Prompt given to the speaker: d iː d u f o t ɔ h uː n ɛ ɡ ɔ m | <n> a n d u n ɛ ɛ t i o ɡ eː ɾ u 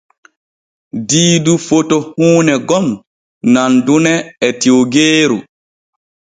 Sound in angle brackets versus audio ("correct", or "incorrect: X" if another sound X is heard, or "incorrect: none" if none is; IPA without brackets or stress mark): correct